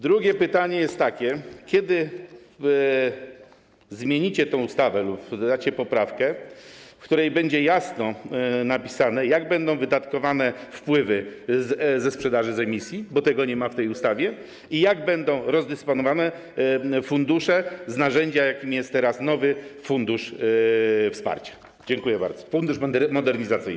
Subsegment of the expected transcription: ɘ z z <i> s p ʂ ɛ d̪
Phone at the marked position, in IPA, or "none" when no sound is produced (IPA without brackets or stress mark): ɛ